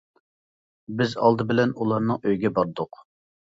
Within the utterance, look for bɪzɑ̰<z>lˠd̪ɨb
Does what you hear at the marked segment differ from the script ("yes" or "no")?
yes